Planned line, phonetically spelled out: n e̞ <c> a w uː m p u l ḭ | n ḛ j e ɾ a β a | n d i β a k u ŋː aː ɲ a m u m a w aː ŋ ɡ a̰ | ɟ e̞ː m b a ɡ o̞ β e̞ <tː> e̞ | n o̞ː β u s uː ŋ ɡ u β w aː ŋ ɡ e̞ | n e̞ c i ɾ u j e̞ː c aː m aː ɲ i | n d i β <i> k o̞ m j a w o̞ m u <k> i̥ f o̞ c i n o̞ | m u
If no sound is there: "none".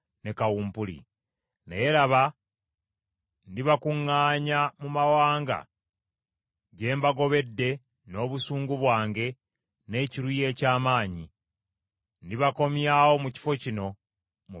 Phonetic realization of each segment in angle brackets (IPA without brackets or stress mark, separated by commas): k, dː, a, c